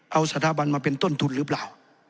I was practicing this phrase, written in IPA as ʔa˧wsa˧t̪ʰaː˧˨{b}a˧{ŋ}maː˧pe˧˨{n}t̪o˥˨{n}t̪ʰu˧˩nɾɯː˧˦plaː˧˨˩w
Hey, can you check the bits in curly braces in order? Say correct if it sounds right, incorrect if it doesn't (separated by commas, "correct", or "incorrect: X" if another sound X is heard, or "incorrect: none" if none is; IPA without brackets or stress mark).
correct, incorrect: n, correct, correct